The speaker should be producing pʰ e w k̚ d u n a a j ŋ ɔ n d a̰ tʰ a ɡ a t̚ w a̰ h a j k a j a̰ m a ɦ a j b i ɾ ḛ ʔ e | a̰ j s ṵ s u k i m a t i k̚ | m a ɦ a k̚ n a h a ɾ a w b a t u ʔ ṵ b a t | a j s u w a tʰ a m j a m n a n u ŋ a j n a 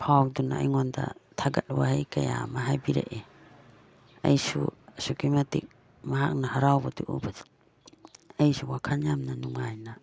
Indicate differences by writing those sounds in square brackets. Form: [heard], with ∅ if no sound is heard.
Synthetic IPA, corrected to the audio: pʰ [a] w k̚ d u n a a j ŋ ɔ n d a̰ tʰ a ɡ a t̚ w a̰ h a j k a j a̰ m a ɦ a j b i ɾ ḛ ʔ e | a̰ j s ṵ s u k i m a t i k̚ | m a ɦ a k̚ n a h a ɾ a w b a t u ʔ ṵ b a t | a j s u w a [kʰ] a [n] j a m n a n u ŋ a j n a

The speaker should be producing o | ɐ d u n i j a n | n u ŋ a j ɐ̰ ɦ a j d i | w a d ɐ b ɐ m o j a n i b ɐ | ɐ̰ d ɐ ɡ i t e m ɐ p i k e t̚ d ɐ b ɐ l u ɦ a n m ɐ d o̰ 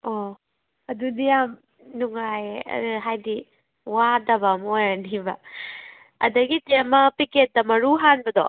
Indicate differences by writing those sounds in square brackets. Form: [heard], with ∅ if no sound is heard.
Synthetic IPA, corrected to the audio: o | ɐ d u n i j a [m] | n u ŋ a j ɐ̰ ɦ a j d i | w a d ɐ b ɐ m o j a n i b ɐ | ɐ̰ d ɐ ɡ i t e m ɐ p i k e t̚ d ɐ [m] ɐ [ɾ] u ɦ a n [b] ɐ d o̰

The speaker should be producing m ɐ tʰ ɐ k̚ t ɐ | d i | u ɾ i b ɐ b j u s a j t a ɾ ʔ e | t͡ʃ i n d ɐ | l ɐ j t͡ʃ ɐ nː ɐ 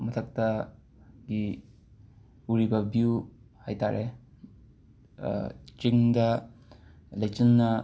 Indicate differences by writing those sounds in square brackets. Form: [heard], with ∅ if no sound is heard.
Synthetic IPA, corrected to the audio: m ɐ tʰ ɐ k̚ t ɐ | [ɡ] i | u ɾ i b ɐ b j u [h] a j t a ɾ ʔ e | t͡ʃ i [ŋ] d ɐ | l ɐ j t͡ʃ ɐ nː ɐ

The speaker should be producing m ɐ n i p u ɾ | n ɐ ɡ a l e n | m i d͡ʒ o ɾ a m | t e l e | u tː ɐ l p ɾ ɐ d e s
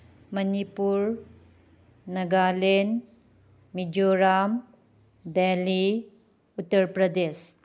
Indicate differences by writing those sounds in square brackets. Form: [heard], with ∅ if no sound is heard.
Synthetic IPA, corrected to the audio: m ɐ n i p u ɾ | n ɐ ɡ a l e n | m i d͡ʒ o ɾ a m | [d] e l [i] | u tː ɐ [ɾ] p ɾ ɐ d e s

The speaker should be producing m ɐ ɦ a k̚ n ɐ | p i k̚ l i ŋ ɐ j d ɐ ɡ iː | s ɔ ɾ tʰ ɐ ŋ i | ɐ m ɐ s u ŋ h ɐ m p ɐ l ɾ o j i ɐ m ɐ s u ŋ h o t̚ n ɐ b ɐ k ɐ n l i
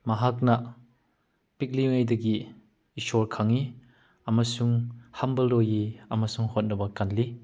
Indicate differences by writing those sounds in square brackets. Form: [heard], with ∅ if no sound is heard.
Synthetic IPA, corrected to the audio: m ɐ ɦ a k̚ n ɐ | p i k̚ l i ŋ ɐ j d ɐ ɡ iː | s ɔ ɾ [kʰ] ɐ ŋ i | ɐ m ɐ s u ŋ h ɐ m [b] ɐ l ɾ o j i ɐ m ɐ s u ŋ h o t̚ n ɐ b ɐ k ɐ n l i

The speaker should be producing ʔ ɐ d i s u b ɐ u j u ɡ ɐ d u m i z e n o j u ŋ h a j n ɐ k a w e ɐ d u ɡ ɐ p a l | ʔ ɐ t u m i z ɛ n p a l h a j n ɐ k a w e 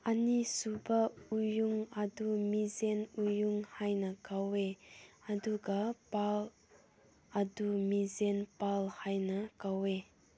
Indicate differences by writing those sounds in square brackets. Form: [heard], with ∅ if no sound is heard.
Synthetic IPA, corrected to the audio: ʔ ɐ [n] i s u b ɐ u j u [ŋ] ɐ d u m i z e n [u] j u ŋ h a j n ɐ k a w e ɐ d u ɡ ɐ p a l | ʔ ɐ [d] u m i z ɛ n p a l h a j n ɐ k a w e

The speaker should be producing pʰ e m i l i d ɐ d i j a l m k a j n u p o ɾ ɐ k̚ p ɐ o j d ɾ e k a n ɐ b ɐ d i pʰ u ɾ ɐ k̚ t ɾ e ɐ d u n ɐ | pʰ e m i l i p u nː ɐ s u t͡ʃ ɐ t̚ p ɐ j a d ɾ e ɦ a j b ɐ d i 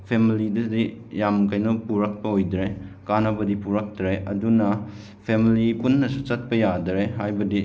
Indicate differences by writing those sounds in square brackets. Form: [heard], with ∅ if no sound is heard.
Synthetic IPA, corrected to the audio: pʰ e m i l i d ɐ d i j a [∅] m k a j n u p [u] ɾ ɐ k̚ p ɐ o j d ɾ e k a n ɐ b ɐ d i [p] u ɾ ɐ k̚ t ɾ e ɐ d u n ɐ | pʰ e m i l i p u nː ɐ s u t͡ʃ ɐ t̚ p ɐ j a d ɾ e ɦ a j b ɐ d i

